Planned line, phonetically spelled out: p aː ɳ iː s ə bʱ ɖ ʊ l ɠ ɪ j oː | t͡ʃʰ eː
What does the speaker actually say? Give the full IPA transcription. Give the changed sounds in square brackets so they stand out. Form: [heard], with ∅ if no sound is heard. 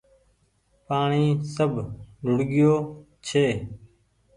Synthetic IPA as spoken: p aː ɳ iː s ə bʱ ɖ ʊ [ɽ] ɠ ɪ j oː | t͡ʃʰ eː